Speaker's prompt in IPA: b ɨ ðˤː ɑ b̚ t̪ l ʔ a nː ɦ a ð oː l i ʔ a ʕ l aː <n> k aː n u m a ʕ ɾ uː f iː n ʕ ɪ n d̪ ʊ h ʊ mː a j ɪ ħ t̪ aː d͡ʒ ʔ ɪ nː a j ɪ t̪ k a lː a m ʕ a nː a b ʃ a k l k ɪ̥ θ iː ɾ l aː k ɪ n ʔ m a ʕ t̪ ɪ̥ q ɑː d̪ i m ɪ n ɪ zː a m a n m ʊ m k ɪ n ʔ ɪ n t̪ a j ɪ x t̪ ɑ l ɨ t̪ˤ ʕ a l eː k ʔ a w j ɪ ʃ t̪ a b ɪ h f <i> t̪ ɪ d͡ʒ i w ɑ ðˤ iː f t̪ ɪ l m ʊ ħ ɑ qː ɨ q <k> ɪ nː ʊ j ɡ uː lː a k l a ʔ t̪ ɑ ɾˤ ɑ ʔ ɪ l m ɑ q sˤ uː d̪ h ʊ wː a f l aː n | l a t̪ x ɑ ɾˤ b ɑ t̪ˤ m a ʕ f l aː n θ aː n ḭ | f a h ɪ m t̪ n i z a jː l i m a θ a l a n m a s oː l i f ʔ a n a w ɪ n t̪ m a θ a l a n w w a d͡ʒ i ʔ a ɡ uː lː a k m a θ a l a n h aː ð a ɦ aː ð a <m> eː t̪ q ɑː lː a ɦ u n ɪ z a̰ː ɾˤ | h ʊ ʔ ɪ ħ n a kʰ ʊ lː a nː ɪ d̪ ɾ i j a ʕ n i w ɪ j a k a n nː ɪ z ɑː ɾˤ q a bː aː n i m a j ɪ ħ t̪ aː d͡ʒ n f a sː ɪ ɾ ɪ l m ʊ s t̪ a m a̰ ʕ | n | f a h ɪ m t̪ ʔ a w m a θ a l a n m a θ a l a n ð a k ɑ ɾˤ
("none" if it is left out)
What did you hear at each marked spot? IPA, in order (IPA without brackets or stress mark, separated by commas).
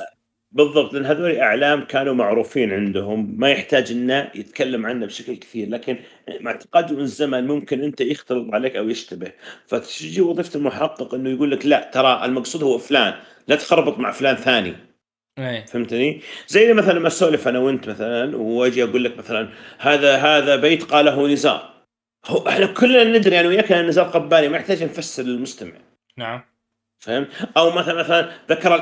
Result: m, a, ʔ, b